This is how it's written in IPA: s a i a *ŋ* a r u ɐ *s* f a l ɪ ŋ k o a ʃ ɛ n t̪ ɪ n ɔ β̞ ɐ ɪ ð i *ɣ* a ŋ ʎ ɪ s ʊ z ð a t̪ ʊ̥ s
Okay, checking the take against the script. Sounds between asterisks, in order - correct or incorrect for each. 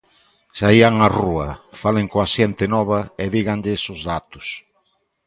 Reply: correct, incorrect: none, correct

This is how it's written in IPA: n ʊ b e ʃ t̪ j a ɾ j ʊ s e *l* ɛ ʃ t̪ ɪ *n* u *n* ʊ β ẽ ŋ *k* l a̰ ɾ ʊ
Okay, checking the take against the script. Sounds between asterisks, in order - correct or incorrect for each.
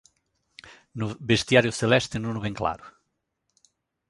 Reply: correct, correct, correct, correct

